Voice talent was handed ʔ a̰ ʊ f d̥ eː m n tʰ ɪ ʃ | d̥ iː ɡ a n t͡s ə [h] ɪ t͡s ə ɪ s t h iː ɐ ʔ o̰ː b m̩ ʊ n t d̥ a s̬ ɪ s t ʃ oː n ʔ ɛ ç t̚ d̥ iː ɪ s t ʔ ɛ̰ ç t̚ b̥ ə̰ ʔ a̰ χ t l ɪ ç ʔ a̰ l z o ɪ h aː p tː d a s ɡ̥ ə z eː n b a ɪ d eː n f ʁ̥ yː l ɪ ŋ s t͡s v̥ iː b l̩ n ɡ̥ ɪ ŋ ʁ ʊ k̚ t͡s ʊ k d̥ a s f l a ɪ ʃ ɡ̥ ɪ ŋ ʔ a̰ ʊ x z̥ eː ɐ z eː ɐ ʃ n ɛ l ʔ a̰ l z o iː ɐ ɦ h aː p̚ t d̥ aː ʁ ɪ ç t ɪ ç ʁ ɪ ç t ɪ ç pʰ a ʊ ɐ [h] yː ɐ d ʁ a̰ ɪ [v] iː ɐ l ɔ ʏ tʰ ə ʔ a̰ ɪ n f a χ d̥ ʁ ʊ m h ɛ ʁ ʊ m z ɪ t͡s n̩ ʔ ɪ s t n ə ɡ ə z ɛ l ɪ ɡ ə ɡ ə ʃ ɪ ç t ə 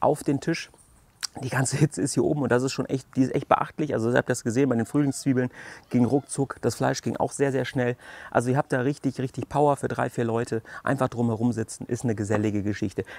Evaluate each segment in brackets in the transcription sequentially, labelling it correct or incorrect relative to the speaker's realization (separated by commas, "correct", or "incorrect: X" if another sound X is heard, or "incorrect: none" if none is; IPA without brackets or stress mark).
correct, incorrect: f, incorrect: f